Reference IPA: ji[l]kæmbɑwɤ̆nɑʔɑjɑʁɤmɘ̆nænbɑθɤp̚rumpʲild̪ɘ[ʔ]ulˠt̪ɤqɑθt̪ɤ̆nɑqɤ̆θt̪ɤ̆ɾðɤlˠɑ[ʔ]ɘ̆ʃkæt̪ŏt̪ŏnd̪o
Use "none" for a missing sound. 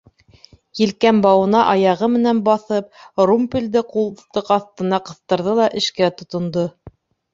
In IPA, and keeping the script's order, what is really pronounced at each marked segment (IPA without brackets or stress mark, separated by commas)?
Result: l, q, ʔ